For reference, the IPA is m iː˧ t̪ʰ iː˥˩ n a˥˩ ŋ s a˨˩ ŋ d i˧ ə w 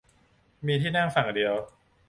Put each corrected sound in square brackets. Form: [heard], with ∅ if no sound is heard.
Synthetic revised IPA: m iː˧ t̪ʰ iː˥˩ n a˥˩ ŋ [f] a˨˩ ŋ d i˧ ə w